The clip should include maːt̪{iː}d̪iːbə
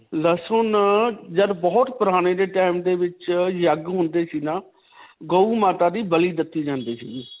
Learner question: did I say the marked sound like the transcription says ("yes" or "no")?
no